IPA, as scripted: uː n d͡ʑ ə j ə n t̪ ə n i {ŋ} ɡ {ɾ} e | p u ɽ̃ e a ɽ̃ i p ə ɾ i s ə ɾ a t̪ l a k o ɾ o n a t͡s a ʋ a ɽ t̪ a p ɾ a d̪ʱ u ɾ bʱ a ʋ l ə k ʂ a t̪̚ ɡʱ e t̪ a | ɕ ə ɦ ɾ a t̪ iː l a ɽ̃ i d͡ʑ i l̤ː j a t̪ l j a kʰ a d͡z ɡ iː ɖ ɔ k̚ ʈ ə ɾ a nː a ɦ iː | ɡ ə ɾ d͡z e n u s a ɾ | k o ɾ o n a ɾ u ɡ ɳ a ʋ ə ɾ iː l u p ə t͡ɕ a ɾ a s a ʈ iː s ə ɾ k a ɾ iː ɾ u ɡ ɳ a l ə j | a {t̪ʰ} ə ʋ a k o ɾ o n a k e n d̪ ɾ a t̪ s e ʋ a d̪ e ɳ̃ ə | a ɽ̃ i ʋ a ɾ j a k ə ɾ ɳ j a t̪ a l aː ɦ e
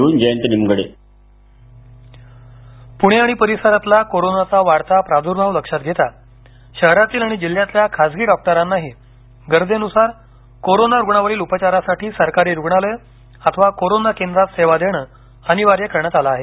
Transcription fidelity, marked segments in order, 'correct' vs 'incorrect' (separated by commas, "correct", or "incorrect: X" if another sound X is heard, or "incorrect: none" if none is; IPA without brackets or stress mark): incorrect: m, incorrect: ɽ, correct